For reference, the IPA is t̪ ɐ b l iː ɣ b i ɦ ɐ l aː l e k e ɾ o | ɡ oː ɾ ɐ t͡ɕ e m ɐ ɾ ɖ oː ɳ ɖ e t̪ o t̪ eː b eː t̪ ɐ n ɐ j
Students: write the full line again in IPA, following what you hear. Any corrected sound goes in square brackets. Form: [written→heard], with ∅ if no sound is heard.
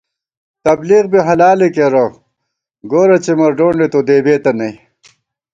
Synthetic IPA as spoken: t̪ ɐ b l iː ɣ b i ɦ ɐ l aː l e k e ɾ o | ɡ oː ɾ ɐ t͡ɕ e m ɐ ɾ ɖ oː ɳ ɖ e t̪ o [t̪→d̪] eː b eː t̪ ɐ n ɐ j